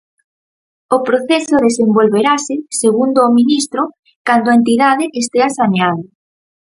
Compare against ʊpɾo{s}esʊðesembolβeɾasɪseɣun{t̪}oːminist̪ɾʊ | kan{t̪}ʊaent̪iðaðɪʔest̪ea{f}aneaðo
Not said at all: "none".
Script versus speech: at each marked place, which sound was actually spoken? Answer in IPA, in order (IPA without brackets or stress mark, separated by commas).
θ, d̪, d̪, s